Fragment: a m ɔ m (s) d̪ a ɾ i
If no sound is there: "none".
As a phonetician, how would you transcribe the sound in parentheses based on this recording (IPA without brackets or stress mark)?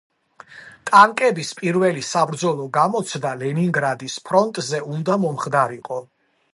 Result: χ